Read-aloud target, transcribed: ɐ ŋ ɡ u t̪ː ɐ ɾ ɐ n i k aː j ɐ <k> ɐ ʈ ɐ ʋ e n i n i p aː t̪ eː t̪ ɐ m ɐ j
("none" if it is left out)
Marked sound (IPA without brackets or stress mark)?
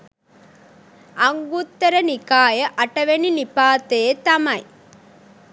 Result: ʔ